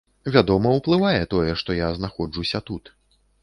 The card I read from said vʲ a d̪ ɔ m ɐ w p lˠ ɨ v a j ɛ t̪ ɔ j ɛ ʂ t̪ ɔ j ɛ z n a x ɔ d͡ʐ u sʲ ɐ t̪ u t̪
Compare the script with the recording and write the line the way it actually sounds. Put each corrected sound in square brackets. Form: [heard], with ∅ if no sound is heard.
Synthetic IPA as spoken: vʲ a d̪ ɔ m ɐ w p lˠ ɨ v a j ɛ t̪ ɔ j ɛ ʂ t̪ ɔ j [a] z n a x ɔ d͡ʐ u sʲ ɐ t̪ u t̪